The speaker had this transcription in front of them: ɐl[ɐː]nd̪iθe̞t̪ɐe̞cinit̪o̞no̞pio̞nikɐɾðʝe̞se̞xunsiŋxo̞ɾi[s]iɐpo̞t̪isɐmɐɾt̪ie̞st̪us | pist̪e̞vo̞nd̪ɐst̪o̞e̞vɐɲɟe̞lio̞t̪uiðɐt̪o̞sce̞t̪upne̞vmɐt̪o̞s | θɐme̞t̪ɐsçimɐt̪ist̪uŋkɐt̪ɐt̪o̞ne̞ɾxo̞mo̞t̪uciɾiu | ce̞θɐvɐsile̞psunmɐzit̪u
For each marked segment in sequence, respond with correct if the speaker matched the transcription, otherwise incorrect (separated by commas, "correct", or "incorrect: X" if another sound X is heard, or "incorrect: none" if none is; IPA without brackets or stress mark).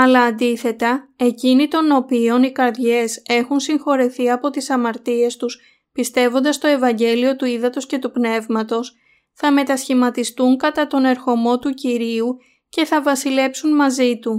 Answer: correct, incorrect: θ